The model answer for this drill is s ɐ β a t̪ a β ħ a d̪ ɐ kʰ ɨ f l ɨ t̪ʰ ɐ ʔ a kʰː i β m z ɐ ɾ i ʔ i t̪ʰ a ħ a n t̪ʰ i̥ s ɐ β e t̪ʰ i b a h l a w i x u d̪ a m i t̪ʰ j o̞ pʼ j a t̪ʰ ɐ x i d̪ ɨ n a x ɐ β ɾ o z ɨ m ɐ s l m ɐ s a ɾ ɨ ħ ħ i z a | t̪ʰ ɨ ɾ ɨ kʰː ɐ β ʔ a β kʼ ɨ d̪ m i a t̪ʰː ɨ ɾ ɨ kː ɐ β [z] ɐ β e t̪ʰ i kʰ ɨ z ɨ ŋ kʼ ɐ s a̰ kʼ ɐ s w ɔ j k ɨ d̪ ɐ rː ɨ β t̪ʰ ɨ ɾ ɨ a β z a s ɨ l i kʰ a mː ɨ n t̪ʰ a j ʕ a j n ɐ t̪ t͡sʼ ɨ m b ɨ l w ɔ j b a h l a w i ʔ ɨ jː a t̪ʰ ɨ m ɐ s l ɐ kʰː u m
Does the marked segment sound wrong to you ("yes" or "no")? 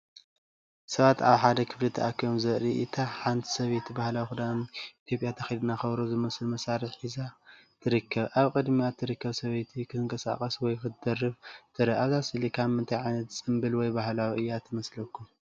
yes